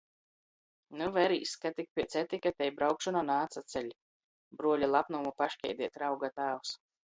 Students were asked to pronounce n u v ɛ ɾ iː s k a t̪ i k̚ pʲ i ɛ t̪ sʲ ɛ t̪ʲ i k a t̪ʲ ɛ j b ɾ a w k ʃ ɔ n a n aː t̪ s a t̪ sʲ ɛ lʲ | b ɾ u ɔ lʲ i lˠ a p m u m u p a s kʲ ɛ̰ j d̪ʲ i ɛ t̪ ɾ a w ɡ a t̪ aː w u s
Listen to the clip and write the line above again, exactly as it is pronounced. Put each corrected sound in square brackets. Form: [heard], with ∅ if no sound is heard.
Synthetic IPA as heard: n u v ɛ ɾ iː s k a t̪ i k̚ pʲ i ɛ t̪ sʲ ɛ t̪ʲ i k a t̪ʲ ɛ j b ɾ a w k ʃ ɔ n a n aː t̪ s a t̪ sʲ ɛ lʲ | b ɾ u ɔ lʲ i lˠ a p [n] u m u p a [ʃ] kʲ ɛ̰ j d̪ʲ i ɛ t̪ ɾ a w ɡ a t̪ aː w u s